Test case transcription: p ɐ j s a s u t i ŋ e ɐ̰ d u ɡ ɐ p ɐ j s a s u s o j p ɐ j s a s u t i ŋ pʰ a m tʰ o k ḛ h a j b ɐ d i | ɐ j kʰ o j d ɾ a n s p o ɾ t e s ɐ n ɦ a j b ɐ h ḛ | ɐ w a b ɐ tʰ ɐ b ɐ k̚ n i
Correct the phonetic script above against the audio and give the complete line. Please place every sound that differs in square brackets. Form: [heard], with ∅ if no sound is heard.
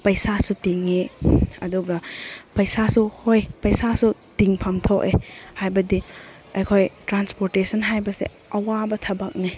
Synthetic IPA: p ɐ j s a s u t i ŋ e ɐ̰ d u ɡ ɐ p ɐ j s a s u [h] o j p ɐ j s a s u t i ŋ pʰ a m tʰ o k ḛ h a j b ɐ d i | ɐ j kʰ o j [t] ɾ a n s p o ɾ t e s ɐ n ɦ a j b ɐ [s] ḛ | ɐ w a b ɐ tʰ ɐ b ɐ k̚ n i